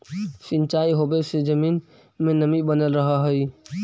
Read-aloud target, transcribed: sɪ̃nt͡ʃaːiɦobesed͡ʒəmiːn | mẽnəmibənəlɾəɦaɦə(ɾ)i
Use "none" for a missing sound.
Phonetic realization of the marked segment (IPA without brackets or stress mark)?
none